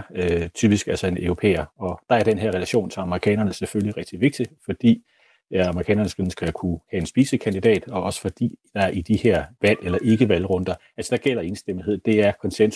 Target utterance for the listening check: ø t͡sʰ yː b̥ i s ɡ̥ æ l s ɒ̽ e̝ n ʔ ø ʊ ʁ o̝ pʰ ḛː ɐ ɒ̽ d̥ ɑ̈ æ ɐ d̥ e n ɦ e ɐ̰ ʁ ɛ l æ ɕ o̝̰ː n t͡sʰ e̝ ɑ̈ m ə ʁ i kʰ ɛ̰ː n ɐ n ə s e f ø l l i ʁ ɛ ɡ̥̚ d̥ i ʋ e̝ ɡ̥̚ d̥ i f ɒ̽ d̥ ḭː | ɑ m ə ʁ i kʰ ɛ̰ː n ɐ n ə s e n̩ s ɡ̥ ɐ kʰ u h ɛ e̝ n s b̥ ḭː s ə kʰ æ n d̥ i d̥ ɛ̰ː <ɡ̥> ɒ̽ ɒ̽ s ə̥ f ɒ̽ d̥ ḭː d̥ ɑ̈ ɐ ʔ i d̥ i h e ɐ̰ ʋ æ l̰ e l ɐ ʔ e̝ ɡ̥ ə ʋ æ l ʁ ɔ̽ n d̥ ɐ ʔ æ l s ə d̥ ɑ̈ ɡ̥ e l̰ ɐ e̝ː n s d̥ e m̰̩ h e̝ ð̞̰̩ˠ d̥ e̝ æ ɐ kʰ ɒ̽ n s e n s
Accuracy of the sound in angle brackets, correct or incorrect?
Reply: incorrect